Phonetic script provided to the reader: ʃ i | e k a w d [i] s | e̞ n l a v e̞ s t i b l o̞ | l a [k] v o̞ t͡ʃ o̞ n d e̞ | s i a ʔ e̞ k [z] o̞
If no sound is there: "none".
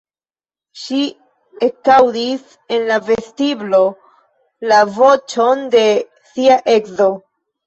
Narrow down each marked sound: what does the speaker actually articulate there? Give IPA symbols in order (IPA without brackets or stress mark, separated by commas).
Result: i, none, z